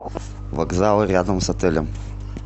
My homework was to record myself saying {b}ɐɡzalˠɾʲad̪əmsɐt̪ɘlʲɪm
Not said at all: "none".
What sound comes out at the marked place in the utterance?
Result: v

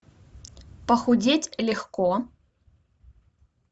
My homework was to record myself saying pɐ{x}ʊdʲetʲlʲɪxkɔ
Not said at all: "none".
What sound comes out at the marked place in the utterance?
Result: x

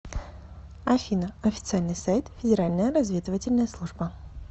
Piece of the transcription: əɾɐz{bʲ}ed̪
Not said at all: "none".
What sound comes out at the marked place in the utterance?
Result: vʲ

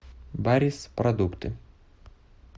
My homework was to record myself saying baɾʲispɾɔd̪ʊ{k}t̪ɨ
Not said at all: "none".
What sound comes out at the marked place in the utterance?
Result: k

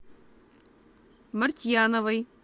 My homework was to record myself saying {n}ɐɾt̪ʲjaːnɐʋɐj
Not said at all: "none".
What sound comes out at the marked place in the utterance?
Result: m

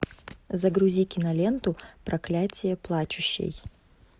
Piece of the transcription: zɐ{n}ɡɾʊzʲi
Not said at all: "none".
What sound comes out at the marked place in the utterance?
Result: none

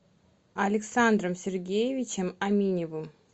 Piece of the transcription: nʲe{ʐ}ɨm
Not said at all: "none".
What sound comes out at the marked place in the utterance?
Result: v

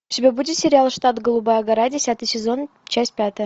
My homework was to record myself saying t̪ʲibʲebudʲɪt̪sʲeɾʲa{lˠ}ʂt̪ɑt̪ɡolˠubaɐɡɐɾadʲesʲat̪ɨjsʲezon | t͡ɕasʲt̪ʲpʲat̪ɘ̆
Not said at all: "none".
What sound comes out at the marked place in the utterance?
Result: lˠ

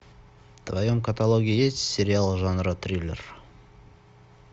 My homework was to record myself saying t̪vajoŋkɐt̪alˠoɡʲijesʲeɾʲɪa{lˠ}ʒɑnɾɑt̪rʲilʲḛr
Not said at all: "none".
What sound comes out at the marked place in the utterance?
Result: lˠ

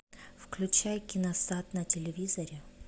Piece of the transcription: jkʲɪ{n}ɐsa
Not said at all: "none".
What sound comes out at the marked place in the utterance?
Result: n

